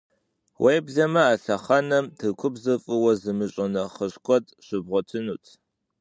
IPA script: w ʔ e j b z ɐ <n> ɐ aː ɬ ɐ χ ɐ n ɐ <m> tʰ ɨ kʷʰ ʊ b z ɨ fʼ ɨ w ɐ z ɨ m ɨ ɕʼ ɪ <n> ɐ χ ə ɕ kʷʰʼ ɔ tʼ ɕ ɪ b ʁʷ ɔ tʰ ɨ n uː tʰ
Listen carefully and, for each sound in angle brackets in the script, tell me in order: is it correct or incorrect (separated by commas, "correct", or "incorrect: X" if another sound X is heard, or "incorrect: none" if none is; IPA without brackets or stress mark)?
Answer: incorrect: m, correct, correct